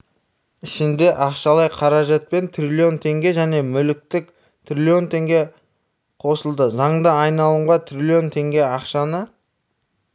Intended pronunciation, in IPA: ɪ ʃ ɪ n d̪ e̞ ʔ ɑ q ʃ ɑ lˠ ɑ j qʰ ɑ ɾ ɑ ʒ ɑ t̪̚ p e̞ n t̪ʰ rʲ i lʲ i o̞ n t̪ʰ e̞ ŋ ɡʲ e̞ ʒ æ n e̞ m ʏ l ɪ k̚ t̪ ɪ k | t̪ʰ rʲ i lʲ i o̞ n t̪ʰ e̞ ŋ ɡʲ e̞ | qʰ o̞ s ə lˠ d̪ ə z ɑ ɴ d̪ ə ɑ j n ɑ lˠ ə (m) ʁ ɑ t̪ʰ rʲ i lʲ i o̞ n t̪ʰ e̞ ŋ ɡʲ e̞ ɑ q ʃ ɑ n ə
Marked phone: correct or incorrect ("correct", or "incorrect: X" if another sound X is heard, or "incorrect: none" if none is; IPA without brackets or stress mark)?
incorrect: ɴ